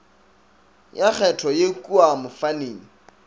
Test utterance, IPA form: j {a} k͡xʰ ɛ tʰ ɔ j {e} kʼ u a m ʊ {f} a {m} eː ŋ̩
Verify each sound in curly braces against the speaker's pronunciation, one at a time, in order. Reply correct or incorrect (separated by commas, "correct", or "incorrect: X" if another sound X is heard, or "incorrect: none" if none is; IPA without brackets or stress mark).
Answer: correct, correct, correct, incorrect: n